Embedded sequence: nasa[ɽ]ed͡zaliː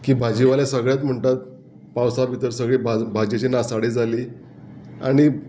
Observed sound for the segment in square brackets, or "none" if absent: ɽ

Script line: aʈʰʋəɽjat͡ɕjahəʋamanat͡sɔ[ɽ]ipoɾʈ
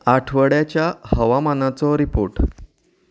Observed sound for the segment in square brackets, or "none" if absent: ɾ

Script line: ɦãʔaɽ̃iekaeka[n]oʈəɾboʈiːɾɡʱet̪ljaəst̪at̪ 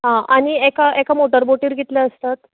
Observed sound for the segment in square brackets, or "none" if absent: m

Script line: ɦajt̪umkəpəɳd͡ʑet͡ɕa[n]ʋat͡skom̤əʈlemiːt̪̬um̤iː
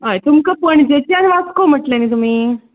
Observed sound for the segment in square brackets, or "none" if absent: n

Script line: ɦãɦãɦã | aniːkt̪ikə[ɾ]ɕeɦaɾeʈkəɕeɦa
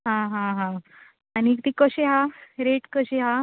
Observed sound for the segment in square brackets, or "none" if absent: none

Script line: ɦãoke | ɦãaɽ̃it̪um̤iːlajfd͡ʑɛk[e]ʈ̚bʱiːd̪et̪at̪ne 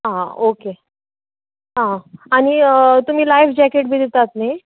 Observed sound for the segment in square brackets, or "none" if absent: e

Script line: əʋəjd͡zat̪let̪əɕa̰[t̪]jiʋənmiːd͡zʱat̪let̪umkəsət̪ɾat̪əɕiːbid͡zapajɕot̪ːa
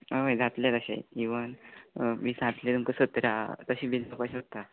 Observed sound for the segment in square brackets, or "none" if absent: none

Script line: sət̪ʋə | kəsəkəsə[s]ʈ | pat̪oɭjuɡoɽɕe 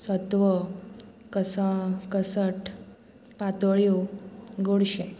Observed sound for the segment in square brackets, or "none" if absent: none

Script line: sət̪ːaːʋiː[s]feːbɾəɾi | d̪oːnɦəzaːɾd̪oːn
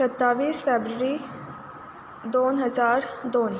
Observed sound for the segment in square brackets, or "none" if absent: s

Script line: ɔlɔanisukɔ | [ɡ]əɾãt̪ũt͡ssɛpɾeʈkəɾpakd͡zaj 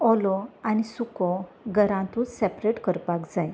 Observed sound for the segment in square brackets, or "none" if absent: ɡ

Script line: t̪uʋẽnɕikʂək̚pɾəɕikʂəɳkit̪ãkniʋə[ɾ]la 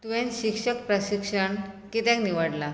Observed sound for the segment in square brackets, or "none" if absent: ɽ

